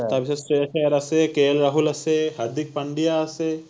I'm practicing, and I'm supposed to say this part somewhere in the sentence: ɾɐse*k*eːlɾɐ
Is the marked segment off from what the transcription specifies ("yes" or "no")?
no